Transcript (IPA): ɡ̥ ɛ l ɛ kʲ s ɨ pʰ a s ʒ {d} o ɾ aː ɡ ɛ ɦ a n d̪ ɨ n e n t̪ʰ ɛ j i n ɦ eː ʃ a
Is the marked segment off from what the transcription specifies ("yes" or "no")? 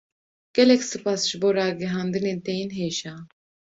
yes